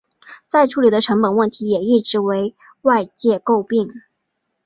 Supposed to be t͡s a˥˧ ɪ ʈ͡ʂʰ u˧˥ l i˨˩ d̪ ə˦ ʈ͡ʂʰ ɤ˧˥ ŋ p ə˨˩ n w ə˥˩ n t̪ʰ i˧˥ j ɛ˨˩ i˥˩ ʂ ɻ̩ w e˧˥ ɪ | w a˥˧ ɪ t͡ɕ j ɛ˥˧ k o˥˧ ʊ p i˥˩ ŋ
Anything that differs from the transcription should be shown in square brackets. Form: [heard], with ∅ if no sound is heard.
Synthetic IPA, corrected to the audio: t͡s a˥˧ ɪ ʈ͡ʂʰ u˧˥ l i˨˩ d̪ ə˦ ʈ͡ʂʰ ɤ˧˥ ŋ p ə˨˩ n w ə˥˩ n t̪ʰ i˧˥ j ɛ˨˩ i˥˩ [ʈ͡ʂ] ɻ̩ w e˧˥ ɪ | w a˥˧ ɪ t͡ɕ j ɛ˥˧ k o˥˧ ʊ p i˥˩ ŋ